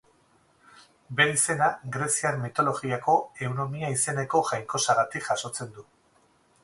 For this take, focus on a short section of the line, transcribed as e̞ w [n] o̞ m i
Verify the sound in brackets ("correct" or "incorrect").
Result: correct